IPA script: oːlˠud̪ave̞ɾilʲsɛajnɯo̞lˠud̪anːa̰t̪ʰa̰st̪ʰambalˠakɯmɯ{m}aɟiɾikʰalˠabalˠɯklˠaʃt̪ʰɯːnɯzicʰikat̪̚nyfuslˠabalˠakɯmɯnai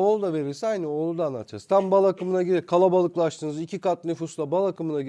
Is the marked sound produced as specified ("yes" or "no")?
no